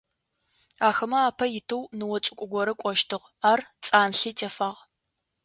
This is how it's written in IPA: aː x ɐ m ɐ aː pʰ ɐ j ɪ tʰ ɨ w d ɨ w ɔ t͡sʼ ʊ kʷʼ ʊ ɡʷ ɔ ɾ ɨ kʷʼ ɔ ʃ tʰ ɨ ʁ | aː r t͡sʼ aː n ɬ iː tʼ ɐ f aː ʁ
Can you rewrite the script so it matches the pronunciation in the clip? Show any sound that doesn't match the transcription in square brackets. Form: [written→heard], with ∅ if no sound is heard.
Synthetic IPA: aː x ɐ m ɐ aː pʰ ɐ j ɪ tʰ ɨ w [d→n] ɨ w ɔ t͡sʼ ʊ kʷʼ ʊ ɡʷ ɔ ɾ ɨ kʷʼ ɔ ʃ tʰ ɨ ʁ | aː r t͡sʼ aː n ɬ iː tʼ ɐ f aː ʁ